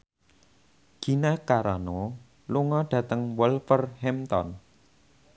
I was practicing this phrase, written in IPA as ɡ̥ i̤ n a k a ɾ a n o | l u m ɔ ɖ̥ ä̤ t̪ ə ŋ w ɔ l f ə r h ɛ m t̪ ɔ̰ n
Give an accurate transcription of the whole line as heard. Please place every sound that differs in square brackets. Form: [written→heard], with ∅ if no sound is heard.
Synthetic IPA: ɡ̥ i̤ n a k a ɾ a n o | l u [m→ŋ] ɔ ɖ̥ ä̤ t̪ ə ŋ w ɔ l f ə r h ɛ m t̪ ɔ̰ n

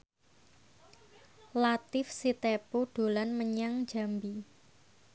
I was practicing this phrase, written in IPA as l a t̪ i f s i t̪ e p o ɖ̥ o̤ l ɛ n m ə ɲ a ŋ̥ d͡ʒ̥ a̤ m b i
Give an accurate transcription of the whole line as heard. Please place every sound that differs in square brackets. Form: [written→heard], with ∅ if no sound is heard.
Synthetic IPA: l a t̪ [i→ɪ] f s i t̪ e p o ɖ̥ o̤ l [ɛ→a] n m ə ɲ a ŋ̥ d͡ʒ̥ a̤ m b i

